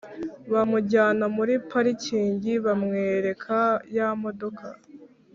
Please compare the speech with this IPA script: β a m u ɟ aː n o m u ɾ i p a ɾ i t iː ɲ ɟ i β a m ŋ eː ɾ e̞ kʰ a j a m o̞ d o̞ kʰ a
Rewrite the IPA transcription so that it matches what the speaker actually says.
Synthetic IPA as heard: β a m u ɟ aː n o m u ɾ i p a ɾ i c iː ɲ ɟ i β a m ŋ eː ɾ e̞ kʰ a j a m o̞ d o̞ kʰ a